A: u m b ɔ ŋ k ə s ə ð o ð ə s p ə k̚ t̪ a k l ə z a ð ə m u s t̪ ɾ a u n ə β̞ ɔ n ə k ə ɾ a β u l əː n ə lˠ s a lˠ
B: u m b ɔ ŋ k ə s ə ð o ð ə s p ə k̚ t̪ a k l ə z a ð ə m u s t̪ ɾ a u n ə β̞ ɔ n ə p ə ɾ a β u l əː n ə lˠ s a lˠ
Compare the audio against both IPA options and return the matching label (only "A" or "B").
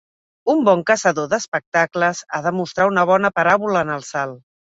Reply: B